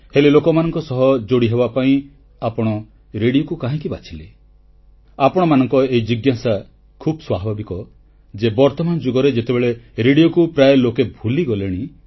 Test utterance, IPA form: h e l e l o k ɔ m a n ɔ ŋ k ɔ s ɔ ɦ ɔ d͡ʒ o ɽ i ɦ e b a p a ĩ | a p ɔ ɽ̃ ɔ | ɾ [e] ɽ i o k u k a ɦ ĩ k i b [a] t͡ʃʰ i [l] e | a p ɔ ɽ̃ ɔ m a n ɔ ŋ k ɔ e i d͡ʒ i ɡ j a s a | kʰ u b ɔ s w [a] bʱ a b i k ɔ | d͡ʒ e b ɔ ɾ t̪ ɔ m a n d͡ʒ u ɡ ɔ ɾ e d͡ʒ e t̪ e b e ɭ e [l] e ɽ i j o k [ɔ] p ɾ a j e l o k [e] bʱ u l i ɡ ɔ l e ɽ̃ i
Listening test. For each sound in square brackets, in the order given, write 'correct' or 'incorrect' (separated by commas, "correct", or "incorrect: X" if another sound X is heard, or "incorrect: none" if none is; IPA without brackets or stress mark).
correct, correct, correct, correct, incorrect: ɾ, incorrect: u, correct